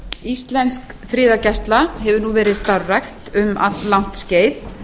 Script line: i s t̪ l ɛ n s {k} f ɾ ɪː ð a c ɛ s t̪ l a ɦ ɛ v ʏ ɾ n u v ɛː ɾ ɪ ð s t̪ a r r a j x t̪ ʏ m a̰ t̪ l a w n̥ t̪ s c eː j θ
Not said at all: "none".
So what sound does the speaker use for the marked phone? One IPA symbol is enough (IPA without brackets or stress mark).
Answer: k